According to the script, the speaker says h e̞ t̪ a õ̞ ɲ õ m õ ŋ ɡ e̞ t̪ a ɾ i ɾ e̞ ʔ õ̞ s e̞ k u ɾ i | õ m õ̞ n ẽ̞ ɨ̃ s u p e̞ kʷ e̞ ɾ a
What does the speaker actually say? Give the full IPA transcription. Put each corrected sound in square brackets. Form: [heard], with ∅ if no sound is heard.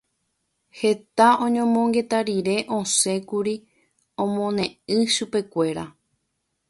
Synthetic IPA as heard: h e̞ t̪ a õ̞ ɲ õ m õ ŋ ɡ e̞ t̪ a ɾ i ɾ e̞ ʔ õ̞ s e̞ k u ɾ i | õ m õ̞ n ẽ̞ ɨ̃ [ʃ] u p e̞ kʷ e̞ ɾ a